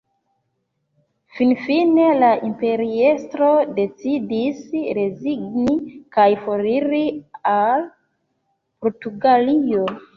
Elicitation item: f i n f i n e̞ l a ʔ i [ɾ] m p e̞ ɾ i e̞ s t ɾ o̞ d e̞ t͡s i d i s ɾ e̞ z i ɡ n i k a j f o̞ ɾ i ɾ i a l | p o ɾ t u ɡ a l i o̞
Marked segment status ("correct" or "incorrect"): incorrect